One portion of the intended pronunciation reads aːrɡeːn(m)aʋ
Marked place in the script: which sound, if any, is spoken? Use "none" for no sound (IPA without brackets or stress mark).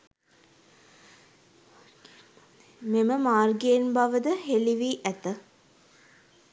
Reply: b